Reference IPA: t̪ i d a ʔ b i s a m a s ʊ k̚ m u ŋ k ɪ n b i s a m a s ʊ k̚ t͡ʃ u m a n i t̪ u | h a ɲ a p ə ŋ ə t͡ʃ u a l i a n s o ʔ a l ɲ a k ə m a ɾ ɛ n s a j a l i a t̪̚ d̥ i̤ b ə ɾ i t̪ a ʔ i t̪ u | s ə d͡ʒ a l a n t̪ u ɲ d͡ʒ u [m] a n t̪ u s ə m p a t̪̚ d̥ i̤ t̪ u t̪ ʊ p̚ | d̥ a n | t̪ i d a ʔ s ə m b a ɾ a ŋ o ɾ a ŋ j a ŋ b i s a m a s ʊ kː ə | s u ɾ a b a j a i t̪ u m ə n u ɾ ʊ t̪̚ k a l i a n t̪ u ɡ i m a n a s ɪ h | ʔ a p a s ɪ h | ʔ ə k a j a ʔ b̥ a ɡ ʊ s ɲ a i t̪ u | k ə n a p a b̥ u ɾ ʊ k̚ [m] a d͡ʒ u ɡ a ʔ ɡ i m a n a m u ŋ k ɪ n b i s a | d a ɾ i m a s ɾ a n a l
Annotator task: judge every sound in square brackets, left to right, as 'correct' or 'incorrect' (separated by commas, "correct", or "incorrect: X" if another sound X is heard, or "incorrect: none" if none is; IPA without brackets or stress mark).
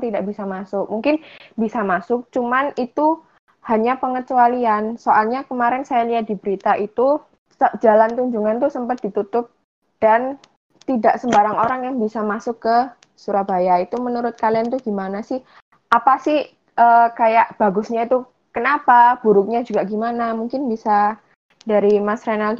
incorrect: ŋ, incorrect: ɲ